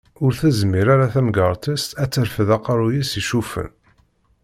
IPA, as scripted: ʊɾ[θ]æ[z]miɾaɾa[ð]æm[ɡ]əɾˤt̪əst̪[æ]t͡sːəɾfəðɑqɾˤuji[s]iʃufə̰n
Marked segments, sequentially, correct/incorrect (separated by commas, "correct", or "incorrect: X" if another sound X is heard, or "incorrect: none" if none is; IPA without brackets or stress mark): correct, correct, incorrect: θ, correct, correct, correct